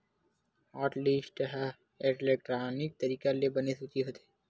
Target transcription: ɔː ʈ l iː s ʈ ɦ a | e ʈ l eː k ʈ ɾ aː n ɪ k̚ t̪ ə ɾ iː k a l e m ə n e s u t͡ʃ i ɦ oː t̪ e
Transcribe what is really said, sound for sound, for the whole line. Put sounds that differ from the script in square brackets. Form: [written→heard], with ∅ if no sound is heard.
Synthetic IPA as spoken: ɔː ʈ l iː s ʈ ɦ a | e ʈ l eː k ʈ ɾ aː n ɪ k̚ t̪ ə ɾ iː k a l e [m→b] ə n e s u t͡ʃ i ɦ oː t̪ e